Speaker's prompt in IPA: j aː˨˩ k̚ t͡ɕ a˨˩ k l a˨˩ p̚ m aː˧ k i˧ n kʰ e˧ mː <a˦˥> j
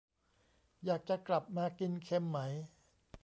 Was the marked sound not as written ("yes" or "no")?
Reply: no